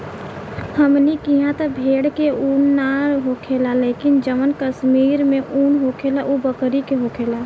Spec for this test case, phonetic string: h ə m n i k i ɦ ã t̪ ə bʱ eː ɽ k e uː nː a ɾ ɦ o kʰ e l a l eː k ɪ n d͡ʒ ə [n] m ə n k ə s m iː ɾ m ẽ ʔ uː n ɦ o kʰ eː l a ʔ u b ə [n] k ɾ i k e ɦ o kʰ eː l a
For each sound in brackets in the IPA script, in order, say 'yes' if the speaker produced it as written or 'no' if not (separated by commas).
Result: no, no